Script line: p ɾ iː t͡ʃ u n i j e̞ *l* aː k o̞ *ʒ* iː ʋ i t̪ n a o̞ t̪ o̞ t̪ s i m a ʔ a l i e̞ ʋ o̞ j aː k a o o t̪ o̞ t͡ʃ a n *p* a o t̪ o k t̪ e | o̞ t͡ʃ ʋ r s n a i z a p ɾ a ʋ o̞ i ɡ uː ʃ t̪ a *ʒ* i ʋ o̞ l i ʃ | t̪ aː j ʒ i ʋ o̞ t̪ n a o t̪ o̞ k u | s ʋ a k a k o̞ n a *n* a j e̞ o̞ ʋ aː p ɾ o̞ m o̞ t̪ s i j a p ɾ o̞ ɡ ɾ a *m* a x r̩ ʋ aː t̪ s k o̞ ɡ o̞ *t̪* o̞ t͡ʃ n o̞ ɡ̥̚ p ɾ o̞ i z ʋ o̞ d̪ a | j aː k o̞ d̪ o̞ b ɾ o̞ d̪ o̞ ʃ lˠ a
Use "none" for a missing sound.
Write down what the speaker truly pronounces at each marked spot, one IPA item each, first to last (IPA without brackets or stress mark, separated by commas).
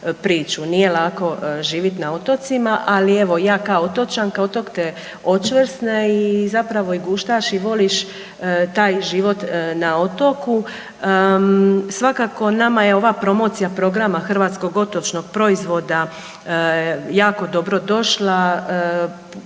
l, ʒ, k, ʃ, m, m, t̪